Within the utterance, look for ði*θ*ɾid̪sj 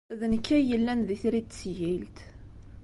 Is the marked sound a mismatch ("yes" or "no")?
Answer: no